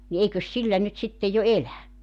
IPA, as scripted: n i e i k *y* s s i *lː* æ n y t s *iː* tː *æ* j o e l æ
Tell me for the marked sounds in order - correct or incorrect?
incorrect, correct, incorrect, incorrect

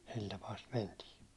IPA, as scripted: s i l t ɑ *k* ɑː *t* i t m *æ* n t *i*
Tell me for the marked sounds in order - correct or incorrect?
incorrect, incorrect, incorrect, incorrect

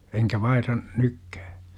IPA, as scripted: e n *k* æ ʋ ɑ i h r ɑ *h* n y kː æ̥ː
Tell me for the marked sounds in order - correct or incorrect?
correct, incorrect

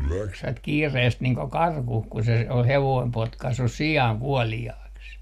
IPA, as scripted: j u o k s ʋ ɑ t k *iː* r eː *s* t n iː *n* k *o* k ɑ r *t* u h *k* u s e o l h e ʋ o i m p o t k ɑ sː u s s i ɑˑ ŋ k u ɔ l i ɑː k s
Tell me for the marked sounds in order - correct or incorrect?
correct, correct, incorrect, correct, incorrect, correct

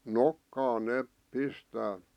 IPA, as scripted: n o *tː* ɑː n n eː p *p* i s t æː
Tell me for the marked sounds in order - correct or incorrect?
incorrect, correct

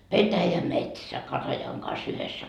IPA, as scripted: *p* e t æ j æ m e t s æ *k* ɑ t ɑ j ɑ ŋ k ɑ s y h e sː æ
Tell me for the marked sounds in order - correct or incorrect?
correct, correct

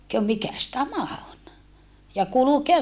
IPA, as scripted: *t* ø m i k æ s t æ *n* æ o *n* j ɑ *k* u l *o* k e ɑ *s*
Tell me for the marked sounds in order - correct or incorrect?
incorrect, incorrect, correct, correct, incorrect, correct

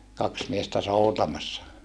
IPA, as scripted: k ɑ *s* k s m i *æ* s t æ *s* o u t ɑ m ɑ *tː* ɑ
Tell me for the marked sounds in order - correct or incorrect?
incorrect, incorrect, correct, incorrect

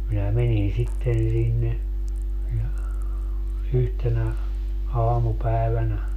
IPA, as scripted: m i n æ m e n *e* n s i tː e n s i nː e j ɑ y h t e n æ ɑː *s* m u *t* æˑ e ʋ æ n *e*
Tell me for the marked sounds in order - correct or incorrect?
incorrect, incorrect, incorrect, incorrect

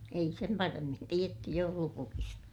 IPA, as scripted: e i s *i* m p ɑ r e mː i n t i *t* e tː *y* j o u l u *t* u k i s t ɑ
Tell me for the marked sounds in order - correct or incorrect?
incorrect, incorrect, correct, incorrect

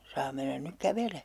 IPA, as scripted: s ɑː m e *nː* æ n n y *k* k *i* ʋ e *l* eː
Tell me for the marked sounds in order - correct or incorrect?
correct, correct, incorrect, correct

